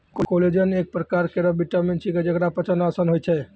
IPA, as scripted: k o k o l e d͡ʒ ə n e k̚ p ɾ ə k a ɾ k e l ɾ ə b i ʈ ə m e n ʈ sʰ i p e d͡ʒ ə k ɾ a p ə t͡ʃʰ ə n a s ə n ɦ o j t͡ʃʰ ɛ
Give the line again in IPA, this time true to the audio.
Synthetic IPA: k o k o l e d͡ʒ ə n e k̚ p ɾ ə k a ɾ k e ɾ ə b i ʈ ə m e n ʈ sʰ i k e d͡ʒ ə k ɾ a p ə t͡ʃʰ ə n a s ə n ɦ o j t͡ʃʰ ɛ